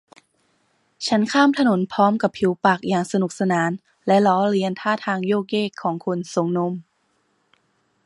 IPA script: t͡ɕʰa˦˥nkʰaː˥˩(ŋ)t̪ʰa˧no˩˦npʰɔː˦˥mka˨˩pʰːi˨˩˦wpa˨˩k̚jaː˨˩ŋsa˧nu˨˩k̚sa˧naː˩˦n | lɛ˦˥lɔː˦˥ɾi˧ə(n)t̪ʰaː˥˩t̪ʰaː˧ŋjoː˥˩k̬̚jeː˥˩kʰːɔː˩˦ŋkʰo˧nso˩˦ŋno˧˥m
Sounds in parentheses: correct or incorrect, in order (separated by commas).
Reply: incorrect, correct